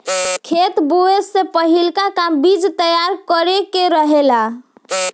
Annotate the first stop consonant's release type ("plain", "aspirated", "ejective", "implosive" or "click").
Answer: aspirated